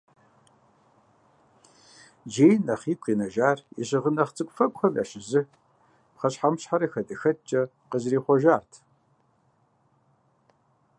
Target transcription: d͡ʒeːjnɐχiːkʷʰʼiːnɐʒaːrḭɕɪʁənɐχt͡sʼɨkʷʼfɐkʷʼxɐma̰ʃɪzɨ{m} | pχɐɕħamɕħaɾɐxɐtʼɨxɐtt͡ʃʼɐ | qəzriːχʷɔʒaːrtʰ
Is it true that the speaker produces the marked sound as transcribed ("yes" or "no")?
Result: no